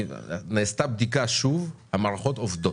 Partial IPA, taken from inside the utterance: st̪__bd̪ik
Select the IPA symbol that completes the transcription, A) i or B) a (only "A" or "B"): B